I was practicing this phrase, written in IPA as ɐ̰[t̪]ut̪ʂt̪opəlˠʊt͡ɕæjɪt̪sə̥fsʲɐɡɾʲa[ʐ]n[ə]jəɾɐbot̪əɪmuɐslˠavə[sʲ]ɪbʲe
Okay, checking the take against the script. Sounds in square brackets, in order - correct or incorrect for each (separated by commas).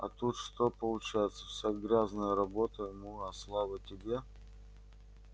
correct, incorrect, correct, incorrect